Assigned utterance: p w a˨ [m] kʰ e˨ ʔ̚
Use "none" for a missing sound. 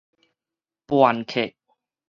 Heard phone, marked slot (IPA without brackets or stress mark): n